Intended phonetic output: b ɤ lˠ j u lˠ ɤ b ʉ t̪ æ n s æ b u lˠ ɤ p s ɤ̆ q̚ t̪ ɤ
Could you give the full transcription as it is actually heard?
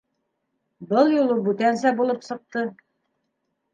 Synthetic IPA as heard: b ɤ lˠ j u lˠ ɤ b ʉ t̪ æ n s æ b u lˠ ɤ p s ɤ̆ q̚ t̪ ɤ